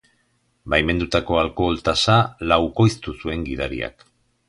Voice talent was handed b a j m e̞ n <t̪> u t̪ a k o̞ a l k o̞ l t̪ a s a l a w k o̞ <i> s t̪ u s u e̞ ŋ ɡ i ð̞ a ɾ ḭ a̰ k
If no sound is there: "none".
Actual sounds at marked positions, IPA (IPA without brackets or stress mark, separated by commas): d̪, j